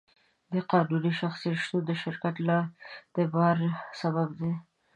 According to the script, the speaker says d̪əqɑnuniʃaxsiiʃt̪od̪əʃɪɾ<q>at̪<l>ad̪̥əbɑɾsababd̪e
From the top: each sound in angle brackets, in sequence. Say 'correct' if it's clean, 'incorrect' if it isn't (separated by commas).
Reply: incorrect, correct